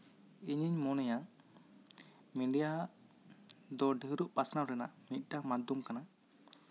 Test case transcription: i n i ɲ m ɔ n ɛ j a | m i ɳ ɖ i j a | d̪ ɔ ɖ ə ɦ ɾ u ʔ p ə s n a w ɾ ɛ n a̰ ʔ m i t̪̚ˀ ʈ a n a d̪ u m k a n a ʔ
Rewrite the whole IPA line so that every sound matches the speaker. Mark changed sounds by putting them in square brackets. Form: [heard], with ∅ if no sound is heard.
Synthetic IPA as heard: i [ɲ] i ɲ m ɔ n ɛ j a | m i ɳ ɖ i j a | d̪ ɔ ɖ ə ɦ ɾ u ʔ p [a] s n a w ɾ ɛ n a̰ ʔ m i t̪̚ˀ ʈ a [m] a d̪ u m k a n a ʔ